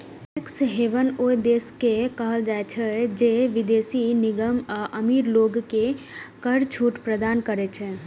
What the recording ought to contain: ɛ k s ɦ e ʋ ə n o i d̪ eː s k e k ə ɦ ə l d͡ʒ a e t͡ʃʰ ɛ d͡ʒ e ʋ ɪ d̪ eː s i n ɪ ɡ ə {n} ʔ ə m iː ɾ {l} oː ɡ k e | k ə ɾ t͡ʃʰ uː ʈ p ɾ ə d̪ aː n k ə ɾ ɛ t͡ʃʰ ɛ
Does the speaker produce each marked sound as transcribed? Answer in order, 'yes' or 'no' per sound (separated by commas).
no, yes